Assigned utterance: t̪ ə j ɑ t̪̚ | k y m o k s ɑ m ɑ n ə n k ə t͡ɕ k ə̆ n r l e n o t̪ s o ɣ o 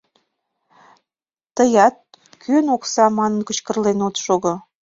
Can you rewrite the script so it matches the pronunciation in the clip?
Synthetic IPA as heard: t̪ ə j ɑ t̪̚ | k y n o k s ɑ m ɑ n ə n k ə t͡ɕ k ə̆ r l e n o t̪ ʃ o ɣ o

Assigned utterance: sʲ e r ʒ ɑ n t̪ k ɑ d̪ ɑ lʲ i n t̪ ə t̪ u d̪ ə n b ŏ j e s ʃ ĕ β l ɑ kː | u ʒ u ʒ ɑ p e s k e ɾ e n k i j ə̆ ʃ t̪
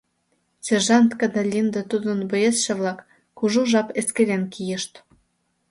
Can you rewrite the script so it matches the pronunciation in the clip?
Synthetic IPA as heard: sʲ e r ʒ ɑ n t̪ k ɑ d̪ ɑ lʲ i n d̪ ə t̪ u d̪ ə n b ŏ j e s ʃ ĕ β l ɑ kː | u ʒ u ʒ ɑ p e s k e ɾ e n k i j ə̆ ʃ t̪

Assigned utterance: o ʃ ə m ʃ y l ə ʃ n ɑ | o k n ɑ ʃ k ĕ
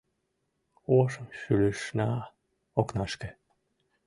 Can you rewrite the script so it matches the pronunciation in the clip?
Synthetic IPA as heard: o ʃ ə m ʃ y l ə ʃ n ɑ | o k n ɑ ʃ k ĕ

